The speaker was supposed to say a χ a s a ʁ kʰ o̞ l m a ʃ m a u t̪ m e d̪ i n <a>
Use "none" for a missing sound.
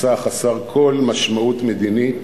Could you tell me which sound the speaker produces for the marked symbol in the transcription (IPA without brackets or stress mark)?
i